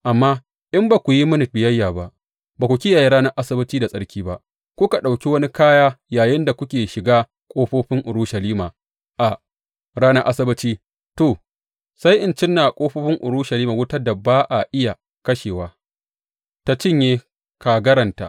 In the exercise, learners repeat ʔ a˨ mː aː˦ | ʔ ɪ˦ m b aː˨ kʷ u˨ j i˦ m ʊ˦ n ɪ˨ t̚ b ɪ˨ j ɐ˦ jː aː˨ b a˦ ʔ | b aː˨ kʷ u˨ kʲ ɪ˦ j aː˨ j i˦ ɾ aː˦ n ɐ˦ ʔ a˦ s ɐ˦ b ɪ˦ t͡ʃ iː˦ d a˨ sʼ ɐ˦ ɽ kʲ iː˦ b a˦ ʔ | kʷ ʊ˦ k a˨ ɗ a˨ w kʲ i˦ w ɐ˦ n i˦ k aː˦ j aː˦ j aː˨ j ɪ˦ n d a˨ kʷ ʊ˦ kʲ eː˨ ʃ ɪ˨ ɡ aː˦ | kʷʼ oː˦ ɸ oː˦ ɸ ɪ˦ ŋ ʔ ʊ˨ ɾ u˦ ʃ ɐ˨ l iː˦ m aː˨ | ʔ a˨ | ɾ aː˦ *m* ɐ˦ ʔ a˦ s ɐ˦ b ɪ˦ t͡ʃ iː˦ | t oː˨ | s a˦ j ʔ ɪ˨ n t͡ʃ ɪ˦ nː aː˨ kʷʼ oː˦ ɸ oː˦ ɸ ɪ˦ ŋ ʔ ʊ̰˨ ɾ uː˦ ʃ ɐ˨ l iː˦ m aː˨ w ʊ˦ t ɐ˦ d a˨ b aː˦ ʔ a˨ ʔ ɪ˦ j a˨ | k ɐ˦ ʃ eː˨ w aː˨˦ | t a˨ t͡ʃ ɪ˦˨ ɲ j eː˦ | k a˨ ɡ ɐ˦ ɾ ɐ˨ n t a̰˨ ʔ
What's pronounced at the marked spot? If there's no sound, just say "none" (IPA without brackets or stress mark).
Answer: n